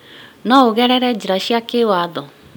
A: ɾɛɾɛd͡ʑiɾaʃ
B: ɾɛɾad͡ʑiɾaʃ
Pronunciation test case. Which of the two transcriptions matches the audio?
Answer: A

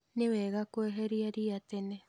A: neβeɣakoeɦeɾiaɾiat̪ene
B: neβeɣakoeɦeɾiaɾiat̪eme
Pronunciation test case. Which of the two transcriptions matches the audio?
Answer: A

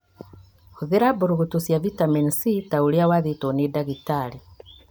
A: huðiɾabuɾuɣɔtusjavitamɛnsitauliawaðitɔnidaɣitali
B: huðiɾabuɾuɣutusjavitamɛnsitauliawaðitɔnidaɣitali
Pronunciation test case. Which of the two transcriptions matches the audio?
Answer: B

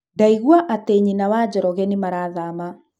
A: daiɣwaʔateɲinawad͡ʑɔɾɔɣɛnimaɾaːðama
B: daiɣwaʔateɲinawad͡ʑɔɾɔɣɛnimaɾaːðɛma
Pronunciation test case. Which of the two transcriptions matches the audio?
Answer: A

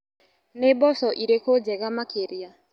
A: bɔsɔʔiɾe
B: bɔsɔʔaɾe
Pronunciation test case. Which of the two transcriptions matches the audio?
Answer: A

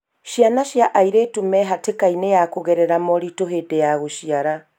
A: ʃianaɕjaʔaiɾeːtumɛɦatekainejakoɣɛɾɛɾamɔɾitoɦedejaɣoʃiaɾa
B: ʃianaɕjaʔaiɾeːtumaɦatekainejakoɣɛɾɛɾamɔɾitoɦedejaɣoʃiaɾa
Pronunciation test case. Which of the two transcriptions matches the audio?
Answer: A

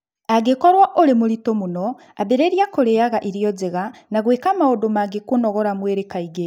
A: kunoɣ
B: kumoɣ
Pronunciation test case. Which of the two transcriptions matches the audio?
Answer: A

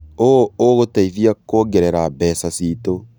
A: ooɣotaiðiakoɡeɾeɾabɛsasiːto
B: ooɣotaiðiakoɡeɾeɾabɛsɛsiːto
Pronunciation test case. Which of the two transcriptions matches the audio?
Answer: A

